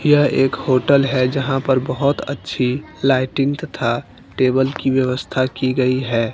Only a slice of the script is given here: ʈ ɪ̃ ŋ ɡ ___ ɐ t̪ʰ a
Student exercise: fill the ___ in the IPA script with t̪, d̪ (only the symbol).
t̪